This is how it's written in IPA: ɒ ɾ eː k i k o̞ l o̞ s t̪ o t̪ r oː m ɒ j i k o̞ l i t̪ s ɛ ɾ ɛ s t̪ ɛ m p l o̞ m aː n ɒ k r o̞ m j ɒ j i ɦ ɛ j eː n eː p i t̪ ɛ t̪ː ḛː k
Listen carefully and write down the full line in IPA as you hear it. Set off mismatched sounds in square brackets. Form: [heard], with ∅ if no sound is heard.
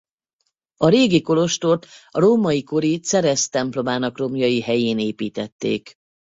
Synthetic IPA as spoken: ɒ ɾ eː [ɡ] i k o̞ l o̞ [ʃ] t̪ o t̪ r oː m ɒ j i k o̞ [ɾ] i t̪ s ɛ ɾ ɛ s t̪ ɛ m p l o̞ m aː n ɒ k r o̞ m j ɒ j i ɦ ɛ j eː n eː p [iː] t̪ ɛ t̪ː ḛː k